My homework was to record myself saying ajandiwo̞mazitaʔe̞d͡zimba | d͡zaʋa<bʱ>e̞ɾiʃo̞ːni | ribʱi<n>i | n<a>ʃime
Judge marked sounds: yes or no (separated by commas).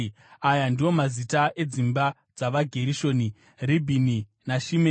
no, yes, yes